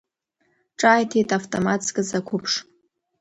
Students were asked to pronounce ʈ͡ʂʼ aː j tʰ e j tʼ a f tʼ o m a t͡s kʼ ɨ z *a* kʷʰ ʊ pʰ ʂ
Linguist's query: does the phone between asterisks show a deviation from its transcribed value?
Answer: no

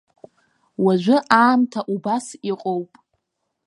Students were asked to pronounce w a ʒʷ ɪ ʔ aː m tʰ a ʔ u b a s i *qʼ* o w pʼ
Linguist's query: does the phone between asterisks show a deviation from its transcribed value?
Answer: no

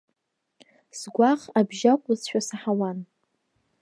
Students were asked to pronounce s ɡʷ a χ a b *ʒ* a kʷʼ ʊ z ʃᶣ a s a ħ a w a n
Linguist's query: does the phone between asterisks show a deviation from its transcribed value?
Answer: no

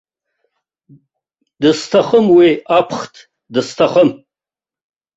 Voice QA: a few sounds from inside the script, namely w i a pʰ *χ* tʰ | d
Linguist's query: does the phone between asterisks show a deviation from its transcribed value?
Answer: no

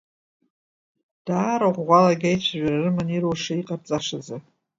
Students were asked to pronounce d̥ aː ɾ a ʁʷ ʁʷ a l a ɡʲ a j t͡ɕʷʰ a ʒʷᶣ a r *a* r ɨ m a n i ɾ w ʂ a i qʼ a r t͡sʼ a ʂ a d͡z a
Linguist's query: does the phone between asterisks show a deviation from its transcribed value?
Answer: no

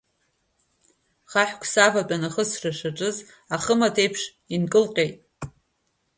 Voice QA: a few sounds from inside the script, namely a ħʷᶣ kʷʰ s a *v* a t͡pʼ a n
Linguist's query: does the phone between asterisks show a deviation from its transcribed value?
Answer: no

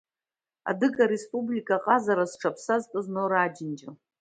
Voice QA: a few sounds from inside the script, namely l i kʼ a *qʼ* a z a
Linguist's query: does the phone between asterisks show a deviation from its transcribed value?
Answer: no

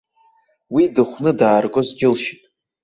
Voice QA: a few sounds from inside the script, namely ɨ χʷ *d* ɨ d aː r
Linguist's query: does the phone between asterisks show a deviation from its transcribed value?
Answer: yes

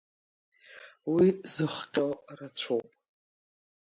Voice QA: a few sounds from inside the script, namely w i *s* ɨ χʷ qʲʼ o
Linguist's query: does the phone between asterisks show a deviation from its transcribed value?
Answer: yes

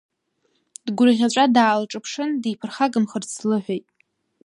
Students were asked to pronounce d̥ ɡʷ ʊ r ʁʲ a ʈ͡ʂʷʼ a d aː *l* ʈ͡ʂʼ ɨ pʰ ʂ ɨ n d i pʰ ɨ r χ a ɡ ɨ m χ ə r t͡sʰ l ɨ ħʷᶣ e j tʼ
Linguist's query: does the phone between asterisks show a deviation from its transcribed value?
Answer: no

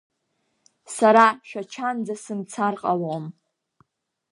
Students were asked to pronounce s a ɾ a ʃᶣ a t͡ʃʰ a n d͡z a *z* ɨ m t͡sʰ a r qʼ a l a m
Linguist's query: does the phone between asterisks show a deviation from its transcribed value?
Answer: yes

